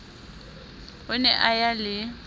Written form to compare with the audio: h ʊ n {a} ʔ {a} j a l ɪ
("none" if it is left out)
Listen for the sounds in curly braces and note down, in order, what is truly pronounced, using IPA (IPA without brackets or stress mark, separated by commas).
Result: ɛ, a